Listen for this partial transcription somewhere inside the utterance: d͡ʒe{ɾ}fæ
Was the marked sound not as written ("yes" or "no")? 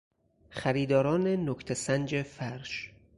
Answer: yes